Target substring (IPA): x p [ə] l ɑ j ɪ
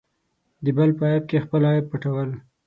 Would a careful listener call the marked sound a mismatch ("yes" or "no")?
no